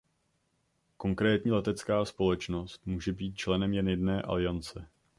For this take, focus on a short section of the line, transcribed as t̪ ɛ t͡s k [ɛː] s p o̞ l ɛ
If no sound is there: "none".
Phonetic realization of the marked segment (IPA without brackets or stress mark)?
aː